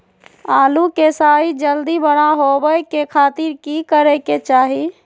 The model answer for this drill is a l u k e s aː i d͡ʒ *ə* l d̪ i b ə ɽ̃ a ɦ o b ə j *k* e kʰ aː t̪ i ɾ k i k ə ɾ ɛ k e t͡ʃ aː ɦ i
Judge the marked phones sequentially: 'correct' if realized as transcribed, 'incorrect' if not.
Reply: correct, correct

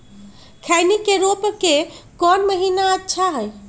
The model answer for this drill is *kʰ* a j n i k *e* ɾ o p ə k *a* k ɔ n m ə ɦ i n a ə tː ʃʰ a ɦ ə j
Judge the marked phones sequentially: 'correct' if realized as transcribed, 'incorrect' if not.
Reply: correct, correct, incorrect

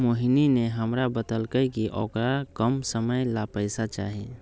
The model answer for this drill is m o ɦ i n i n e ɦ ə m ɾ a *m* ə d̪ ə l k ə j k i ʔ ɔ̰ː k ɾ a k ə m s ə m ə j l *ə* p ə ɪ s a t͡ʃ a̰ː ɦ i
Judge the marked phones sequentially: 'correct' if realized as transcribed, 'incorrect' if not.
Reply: incorrect, incorrect

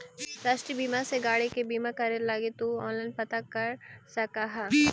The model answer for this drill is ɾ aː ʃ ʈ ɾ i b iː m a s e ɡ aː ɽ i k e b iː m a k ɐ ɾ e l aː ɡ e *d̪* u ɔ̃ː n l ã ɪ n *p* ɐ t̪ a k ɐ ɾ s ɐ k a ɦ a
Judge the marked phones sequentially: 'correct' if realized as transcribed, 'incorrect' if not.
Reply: incorrect, correct

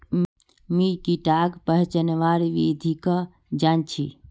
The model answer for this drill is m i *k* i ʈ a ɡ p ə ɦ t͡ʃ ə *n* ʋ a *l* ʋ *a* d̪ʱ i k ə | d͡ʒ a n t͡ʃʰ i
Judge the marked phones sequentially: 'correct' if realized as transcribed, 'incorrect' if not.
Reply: correct, correct, incorrect, incorrect

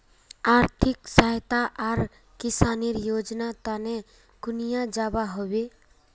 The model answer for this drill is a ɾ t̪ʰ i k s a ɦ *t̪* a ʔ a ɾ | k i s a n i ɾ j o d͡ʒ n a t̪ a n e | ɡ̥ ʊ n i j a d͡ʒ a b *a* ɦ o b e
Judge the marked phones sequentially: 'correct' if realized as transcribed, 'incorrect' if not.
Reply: correct, correct

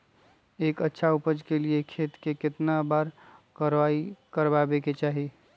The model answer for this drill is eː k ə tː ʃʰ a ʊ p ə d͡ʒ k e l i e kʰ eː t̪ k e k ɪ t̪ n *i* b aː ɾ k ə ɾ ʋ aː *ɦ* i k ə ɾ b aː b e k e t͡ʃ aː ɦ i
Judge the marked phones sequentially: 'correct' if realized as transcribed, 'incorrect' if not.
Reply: incorrect, incorrect

